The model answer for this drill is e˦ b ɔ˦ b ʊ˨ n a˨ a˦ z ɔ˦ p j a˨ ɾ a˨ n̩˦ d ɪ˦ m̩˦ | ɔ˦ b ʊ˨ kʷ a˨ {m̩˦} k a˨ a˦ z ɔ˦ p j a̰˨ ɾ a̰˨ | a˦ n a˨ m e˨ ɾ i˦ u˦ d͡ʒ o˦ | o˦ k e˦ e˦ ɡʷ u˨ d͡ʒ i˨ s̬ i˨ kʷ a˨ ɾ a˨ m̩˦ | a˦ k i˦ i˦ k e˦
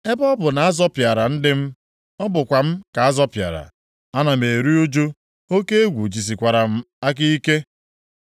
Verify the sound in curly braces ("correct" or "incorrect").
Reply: correct